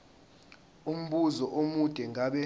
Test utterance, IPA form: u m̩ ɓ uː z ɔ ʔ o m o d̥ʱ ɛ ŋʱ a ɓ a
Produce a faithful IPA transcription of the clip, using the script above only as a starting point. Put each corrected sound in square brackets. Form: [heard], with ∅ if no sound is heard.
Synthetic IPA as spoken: u m̩ ɓ [u] z ɔ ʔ o m [u] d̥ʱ ɛ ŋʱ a ɓ [ɛ]